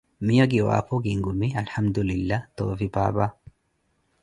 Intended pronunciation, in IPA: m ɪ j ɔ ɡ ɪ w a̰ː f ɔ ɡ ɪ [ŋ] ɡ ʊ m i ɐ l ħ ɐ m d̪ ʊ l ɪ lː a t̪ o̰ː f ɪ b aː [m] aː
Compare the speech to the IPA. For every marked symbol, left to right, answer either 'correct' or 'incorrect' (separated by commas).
correct, incorrect